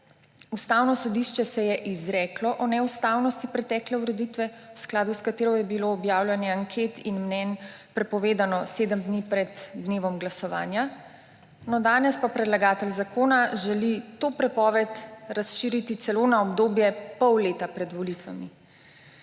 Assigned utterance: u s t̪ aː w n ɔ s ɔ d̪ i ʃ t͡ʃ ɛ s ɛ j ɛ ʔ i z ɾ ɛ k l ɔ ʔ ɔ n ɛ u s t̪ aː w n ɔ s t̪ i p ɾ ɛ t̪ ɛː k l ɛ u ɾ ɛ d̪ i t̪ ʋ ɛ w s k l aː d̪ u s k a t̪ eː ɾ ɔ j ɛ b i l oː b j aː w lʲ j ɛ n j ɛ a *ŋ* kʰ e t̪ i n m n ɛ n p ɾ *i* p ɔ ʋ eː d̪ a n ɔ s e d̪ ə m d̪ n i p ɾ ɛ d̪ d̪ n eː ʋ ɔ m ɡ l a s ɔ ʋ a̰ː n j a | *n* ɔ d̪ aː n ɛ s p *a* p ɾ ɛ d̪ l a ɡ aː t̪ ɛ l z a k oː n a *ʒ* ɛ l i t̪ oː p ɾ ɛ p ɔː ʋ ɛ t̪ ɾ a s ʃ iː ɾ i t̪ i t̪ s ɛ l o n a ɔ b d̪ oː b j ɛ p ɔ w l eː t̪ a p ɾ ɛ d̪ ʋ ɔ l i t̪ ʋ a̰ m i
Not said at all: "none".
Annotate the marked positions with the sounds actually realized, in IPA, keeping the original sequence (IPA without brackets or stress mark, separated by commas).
ŋ, ɛ, n, a, ʒ